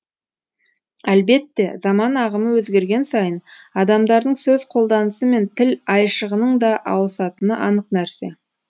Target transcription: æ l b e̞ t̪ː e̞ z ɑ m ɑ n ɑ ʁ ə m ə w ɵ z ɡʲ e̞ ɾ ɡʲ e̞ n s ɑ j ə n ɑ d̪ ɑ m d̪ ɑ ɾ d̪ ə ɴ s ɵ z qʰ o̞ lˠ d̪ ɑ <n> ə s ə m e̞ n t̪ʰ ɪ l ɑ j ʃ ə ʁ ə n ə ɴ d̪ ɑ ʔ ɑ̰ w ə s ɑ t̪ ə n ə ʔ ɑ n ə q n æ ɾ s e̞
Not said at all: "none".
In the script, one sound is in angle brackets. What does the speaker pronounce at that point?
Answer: n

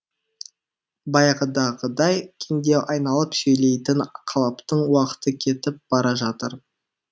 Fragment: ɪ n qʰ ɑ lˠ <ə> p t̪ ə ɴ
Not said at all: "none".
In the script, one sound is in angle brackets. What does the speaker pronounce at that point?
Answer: ɑ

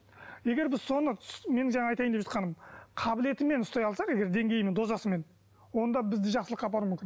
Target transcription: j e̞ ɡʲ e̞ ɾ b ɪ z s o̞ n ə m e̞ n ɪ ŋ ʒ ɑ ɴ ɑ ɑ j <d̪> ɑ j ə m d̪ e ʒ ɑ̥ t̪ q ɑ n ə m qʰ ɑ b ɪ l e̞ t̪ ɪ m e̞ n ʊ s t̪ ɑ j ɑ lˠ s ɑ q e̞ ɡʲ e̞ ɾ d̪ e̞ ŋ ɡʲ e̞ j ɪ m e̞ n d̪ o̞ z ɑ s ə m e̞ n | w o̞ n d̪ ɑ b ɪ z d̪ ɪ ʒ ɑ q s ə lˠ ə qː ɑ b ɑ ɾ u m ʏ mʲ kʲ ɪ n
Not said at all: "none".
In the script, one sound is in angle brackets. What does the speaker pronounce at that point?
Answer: t̪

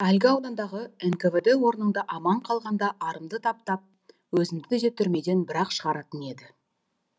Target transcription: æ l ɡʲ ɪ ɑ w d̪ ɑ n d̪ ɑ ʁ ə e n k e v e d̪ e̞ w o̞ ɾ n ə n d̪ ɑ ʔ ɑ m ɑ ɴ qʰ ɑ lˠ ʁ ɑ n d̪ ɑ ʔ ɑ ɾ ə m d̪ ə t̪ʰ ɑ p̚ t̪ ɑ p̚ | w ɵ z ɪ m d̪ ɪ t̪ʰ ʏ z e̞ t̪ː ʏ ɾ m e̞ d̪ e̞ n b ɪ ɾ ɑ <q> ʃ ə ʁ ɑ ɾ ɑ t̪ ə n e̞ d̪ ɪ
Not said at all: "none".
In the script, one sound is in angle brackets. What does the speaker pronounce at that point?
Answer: q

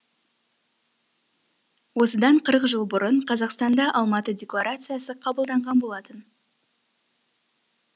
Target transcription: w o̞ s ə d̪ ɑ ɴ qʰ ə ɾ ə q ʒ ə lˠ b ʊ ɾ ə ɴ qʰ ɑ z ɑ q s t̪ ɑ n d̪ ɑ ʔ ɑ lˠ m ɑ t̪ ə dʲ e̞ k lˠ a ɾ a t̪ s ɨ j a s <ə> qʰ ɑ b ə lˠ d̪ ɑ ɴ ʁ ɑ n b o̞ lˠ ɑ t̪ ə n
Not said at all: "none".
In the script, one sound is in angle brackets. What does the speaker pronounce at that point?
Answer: ə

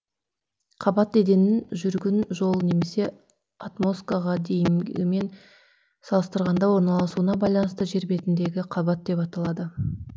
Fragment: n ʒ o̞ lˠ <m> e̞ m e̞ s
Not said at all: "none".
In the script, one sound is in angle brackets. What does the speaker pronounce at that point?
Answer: n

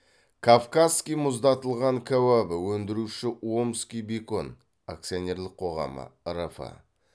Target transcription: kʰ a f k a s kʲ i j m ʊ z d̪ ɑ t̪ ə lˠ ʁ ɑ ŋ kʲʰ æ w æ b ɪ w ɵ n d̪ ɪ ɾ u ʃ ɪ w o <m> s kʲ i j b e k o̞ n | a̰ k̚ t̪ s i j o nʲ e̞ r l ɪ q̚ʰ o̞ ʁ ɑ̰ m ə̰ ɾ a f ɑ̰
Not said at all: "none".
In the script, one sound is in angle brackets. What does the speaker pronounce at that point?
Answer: m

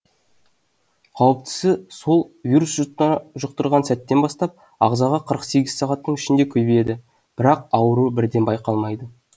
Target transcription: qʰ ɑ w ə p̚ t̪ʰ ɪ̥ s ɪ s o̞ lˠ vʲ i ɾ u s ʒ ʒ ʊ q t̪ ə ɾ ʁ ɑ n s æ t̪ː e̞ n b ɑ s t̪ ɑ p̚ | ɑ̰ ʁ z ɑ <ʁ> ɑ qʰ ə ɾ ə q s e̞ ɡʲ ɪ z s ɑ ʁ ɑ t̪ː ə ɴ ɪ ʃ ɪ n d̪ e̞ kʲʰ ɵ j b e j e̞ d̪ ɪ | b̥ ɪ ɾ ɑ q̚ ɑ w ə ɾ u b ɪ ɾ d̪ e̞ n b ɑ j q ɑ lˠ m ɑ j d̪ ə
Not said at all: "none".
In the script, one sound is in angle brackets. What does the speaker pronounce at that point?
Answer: ʁ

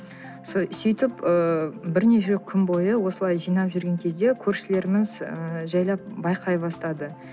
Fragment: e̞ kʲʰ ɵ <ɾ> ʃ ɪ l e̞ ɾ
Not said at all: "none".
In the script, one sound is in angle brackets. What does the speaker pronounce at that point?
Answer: ɾ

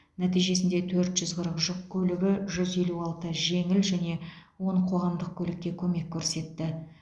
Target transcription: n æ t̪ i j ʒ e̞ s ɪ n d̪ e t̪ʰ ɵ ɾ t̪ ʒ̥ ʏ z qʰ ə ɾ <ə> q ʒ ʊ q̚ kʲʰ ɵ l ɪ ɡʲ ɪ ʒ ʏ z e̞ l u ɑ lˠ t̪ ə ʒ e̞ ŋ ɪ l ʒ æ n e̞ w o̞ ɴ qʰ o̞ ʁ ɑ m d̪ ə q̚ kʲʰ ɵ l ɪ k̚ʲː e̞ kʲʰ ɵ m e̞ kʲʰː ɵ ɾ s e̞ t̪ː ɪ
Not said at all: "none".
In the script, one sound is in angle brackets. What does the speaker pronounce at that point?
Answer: ə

